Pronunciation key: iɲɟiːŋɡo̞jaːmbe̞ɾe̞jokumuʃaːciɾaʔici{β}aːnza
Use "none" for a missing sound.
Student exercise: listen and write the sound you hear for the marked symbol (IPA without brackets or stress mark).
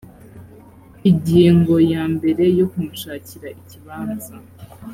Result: β